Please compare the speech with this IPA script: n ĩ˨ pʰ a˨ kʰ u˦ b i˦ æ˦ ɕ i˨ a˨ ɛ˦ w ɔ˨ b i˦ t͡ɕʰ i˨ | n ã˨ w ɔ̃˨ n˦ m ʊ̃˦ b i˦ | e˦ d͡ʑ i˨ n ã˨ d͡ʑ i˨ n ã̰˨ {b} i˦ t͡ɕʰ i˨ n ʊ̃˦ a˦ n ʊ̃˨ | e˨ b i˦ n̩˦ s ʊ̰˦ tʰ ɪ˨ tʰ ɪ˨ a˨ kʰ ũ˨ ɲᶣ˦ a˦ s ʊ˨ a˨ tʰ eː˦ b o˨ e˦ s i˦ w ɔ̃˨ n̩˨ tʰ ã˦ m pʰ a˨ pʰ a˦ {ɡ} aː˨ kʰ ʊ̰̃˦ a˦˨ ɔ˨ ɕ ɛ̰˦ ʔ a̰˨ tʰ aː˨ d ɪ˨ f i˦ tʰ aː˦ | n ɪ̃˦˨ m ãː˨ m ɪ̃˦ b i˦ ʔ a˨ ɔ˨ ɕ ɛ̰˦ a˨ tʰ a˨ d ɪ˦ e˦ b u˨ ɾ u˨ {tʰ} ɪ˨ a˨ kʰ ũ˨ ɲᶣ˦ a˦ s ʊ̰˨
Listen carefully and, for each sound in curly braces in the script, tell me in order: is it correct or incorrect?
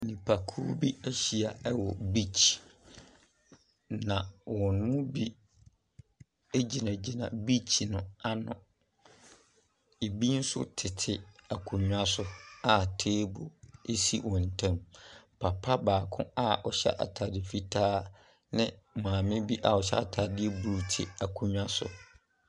correct, incorrect: b, correct

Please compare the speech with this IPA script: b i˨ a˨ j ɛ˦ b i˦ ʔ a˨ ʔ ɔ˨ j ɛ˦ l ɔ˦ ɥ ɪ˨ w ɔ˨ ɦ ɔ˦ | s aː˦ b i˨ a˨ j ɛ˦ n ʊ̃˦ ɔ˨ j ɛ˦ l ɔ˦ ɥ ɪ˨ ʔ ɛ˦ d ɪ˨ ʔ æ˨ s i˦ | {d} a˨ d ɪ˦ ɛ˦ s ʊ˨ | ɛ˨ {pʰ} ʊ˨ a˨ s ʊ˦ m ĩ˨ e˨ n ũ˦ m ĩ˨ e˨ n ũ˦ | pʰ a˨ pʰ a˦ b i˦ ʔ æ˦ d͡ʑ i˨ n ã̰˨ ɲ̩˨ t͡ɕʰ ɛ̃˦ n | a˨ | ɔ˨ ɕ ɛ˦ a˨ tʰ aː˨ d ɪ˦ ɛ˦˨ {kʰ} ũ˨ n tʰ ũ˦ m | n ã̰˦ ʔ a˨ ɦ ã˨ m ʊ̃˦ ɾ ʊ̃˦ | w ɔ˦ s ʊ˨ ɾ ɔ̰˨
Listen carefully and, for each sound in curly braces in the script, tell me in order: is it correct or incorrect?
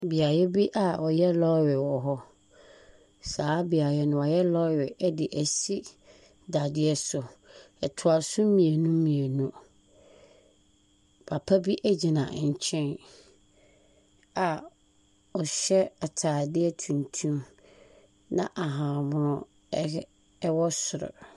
correct, incorrect: tʰ, incorrect: tʰ

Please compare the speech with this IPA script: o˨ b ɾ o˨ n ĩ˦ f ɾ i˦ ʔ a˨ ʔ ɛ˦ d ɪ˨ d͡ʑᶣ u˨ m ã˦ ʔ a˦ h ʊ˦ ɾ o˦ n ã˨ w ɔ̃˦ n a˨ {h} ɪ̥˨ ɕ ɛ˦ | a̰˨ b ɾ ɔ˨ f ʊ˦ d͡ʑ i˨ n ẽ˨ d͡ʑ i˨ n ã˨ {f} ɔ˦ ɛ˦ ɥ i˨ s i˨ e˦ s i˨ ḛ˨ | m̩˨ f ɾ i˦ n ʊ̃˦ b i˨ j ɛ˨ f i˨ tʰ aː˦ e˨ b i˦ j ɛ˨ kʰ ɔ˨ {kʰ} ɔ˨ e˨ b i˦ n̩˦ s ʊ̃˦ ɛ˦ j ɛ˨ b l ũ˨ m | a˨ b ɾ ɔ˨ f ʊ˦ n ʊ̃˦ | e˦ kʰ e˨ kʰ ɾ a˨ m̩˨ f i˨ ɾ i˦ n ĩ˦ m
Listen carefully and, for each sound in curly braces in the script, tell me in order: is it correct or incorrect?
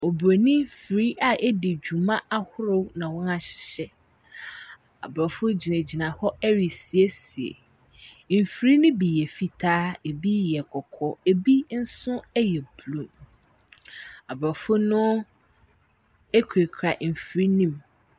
incorrect: ɕ, incorrect: h, correct

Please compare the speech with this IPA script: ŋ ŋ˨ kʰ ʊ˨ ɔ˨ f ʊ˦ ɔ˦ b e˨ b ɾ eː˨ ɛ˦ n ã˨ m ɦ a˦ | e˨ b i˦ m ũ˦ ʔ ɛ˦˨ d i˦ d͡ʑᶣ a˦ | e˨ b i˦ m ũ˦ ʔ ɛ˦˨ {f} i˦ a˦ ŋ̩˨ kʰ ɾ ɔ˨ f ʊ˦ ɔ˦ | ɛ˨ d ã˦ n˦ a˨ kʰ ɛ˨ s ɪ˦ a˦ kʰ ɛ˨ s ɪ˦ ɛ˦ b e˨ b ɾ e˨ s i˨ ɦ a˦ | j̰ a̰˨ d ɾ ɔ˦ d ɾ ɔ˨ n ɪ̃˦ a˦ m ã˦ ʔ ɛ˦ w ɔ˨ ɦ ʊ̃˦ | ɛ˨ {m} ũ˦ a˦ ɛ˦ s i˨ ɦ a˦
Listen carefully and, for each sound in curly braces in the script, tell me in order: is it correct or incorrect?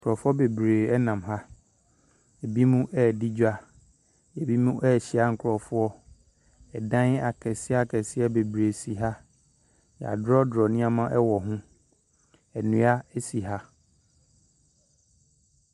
incorrect: ɕ, incorrect: n

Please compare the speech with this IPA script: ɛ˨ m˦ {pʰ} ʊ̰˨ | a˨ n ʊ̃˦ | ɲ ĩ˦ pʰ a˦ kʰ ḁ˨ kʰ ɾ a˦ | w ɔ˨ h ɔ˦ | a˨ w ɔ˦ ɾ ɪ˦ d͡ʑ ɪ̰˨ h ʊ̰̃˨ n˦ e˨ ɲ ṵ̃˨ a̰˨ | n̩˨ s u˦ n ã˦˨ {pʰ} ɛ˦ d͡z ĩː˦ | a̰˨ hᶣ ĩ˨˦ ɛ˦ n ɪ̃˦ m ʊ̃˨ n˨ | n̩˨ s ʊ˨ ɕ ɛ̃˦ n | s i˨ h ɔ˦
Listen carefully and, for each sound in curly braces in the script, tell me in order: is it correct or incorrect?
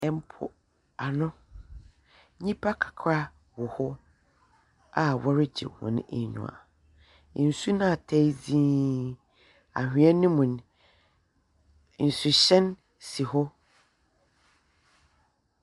correct, incorrect: tʰ

